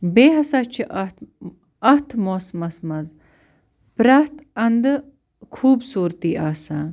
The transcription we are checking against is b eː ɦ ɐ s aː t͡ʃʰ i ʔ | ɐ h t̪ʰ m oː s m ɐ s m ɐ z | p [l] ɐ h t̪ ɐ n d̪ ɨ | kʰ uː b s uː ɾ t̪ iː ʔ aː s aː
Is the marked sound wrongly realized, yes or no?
yes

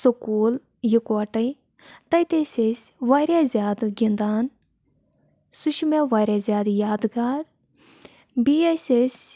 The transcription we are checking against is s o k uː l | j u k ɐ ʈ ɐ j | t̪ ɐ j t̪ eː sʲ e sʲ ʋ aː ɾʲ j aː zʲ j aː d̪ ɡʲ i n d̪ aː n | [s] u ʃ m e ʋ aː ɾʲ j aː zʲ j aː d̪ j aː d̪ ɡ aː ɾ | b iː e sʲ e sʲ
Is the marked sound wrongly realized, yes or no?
no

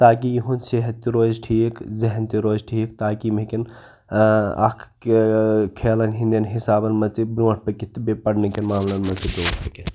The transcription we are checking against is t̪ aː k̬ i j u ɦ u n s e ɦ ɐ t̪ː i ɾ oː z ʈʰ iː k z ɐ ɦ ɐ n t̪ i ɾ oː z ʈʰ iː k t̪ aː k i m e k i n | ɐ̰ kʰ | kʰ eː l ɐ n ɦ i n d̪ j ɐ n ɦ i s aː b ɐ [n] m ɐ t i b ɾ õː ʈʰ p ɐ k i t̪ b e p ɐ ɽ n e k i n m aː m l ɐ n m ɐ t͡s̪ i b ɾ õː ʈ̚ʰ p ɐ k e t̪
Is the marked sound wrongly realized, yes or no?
no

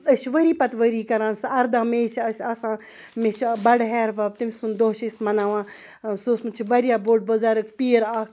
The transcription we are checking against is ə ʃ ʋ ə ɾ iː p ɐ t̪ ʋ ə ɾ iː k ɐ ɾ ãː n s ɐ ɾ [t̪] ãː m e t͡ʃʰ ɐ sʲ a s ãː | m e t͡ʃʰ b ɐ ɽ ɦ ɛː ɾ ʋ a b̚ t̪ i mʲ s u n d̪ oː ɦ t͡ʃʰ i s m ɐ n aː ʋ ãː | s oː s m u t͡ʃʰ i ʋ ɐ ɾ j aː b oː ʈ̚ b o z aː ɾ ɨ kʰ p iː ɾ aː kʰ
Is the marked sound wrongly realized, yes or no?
yes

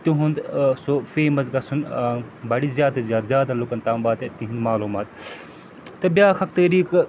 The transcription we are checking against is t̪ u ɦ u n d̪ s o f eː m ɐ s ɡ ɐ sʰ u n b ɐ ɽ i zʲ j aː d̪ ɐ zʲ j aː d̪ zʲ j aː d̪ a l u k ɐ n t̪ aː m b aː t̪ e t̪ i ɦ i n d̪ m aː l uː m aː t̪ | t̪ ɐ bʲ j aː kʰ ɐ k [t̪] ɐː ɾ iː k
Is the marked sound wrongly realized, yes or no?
no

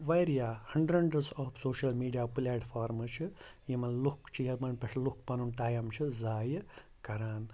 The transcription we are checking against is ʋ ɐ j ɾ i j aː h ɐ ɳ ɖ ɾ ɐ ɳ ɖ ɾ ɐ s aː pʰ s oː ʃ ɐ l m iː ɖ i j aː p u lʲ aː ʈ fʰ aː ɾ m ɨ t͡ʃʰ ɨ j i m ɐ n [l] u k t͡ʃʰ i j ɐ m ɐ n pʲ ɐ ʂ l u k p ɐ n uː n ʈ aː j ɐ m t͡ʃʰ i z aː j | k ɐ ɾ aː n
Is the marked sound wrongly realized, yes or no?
no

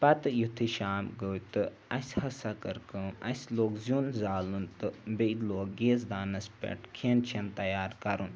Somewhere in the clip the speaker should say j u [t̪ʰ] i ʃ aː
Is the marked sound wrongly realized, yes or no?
no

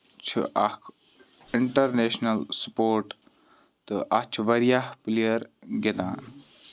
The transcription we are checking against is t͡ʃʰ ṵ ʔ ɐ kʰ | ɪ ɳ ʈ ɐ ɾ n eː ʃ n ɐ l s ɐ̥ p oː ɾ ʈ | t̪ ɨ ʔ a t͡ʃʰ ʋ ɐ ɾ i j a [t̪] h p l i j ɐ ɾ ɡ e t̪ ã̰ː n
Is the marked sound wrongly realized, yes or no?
yes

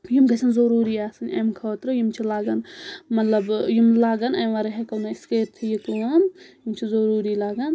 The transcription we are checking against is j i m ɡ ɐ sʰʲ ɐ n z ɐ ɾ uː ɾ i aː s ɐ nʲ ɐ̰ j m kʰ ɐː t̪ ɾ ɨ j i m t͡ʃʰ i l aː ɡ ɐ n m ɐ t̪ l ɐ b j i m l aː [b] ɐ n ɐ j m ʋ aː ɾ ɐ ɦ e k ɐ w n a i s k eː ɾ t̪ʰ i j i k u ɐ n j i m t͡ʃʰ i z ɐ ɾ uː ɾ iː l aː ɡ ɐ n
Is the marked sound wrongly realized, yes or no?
yes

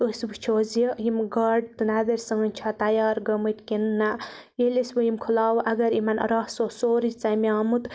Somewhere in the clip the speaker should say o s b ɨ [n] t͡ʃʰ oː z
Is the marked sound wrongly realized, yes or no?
yes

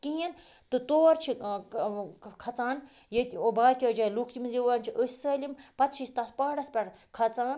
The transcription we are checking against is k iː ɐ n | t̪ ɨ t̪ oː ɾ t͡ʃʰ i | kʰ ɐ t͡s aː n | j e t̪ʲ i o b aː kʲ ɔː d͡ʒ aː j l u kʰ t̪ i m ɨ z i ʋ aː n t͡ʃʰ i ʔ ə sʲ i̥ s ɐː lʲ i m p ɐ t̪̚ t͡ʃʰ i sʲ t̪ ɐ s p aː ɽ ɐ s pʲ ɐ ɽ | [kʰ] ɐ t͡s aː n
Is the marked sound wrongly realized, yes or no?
no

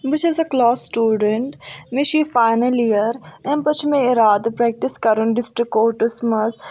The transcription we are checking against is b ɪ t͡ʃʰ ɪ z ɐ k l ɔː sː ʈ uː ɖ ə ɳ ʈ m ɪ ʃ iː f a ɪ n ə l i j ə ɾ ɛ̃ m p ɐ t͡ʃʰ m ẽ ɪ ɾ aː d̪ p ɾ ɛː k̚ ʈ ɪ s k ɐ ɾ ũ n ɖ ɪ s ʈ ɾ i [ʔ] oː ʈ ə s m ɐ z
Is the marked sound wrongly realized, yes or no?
yes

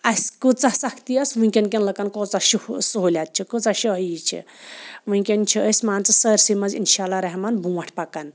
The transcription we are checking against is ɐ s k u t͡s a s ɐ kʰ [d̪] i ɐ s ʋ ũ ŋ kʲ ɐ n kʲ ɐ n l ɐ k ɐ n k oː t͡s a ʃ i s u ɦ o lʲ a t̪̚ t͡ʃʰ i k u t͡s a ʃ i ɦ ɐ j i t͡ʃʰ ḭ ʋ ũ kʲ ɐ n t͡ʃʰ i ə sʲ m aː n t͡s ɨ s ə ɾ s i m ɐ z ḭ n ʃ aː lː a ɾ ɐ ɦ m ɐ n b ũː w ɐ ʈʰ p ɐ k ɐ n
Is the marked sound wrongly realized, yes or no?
yes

